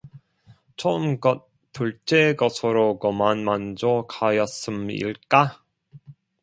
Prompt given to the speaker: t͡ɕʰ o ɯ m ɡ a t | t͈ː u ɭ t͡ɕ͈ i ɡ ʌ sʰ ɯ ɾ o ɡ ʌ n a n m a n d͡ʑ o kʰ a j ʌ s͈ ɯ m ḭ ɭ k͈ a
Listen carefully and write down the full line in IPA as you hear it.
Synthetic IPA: t͡ɕʰ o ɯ m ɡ ʌ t | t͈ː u ɭ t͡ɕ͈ e ɡ ʌ sʰ ɯ ɾ o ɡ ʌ m a n m a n d͡ʑ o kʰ a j ʌ s͈ ɯ m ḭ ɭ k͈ a